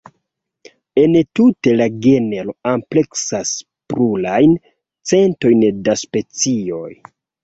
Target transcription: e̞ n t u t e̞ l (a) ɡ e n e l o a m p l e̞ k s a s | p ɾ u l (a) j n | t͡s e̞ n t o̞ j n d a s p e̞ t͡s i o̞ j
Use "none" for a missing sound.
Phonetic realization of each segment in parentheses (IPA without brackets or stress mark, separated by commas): a, a